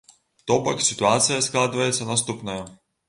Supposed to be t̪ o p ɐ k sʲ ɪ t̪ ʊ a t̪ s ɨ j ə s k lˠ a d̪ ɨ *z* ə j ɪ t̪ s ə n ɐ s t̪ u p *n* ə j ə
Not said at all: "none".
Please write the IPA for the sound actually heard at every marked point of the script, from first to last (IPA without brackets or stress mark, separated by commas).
v, n